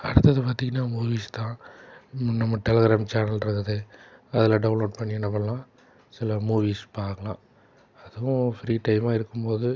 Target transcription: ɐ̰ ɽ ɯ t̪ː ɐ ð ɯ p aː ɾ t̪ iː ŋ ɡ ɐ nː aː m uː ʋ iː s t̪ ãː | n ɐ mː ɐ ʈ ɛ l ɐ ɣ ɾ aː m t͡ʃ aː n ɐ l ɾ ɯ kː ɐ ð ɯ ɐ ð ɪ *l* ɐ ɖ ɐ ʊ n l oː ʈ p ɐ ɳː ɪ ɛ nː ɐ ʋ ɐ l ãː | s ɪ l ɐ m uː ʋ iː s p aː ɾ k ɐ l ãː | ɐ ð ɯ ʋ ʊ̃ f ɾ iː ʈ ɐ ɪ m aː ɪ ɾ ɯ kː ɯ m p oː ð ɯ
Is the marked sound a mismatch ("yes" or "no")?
no